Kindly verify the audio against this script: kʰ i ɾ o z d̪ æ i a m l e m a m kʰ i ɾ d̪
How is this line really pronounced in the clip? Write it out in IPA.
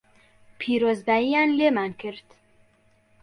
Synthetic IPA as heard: pʰ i ɾ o z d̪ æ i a n l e m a n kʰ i ɾ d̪